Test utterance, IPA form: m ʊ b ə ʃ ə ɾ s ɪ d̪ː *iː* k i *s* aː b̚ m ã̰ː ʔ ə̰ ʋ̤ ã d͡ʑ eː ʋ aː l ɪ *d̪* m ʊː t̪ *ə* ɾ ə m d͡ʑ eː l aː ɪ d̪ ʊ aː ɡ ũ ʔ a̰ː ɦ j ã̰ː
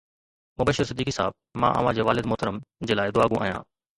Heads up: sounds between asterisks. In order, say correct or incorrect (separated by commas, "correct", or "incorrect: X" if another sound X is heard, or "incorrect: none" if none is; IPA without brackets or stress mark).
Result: correct, correct, correct, correct